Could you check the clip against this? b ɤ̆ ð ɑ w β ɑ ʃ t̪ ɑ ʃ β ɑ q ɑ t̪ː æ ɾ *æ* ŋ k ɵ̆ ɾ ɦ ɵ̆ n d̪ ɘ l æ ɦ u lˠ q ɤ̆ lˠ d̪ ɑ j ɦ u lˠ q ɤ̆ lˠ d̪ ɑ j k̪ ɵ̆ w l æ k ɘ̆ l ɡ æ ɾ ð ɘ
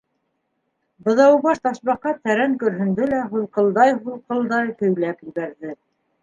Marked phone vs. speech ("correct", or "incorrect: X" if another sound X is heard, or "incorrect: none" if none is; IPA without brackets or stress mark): correct